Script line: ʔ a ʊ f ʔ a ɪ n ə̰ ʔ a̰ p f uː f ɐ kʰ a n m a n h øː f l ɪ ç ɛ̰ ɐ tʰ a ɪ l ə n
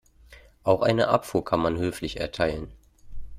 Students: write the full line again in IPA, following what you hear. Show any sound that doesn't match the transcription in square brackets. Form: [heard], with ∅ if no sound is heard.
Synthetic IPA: ʔ a ʊ [x] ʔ a ɪ n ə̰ ʔ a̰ p f uː [∅] ɐ kʰ a n m a n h øː f l ɪ ç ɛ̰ ɐ tʰ a ɪ l ə n